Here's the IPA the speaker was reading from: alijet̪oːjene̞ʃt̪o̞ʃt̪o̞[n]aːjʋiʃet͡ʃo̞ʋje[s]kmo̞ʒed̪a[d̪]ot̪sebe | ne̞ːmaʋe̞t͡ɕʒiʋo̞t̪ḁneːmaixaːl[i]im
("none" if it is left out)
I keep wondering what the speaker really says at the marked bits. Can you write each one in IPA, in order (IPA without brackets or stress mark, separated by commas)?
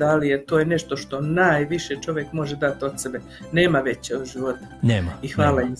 n, none, t̪, a